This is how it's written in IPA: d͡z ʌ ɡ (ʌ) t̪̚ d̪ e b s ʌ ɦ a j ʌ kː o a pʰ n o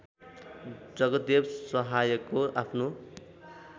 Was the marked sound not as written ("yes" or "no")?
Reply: no